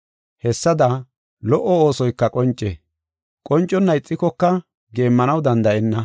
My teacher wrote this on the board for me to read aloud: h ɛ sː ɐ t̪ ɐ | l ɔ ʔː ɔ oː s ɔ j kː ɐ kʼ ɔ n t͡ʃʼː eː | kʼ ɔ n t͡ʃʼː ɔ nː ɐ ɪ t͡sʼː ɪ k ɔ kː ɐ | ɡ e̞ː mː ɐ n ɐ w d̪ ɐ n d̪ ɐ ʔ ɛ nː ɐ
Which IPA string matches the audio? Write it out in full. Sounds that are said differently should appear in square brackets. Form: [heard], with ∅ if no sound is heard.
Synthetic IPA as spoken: h ɛ sː ɐ [d̪] ɐ | l ɔ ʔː ɔ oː s ɔ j kː ɐ kʼ ɔ n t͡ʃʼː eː | kʼ ɔ n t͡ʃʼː ɔ nː ɐ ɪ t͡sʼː ɪ k ɔ kː ɐ | ɡ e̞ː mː ɐ n ɐ w d̪ ɐ n d̪ ɐ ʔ ɛ nː ɐ